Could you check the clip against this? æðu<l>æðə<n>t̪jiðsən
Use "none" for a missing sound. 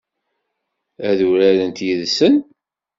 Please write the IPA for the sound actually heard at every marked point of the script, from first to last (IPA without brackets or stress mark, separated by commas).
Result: ɾ, n